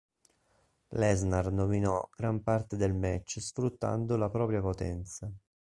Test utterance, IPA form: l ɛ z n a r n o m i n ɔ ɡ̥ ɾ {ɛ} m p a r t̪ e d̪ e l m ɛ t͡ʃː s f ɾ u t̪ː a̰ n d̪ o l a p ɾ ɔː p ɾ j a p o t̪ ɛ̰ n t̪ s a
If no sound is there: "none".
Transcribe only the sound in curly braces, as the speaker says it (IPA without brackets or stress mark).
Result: a